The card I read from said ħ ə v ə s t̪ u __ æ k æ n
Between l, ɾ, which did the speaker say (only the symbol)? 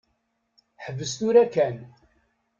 ɾ